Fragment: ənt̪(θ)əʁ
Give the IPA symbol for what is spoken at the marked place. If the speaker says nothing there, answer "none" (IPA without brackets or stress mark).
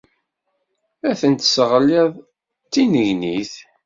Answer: s